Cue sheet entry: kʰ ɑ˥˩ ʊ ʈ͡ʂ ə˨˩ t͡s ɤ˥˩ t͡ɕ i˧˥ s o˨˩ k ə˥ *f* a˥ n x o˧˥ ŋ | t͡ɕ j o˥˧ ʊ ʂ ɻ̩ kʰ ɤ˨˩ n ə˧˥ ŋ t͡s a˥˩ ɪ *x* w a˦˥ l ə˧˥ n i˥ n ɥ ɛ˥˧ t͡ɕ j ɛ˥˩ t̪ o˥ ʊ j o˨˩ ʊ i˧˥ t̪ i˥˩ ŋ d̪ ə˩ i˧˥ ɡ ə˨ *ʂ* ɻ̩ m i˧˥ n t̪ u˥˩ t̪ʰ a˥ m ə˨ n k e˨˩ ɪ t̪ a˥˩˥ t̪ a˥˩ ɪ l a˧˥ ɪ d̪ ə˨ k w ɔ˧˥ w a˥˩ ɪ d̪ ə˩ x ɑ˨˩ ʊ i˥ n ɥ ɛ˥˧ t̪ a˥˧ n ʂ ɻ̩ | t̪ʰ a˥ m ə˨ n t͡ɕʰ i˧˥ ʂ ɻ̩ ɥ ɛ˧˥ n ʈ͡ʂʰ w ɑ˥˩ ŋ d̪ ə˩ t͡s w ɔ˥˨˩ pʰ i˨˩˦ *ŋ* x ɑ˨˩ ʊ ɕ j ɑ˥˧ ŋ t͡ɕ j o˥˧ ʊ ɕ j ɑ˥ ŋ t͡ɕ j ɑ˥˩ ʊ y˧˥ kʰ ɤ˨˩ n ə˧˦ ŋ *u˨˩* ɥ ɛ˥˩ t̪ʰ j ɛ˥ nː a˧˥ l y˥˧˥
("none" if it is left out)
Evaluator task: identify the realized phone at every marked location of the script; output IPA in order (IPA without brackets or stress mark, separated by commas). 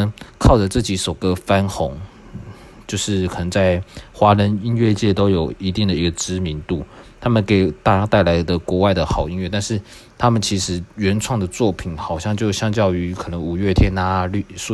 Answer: f, x, ʈ͡ʂ, n, u˨˩